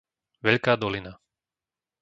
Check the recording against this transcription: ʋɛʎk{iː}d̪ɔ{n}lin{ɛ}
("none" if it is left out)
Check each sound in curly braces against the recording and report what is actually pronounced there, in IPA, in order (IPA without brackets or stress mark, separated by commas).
aː, none, a